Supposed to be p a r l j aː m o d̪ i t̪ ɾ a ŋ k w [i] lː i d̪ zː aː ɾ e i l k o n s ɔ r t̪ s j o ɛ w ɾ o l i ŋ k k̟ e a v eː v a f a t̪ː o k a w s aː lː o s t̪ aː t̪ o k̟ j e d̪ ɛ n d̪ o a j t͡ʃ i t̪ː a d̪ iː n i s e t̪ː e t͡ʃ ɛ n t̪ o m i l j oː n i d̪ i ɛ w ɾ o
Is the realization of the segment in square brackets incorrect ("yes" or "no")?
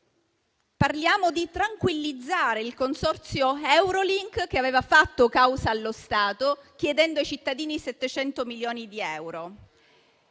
no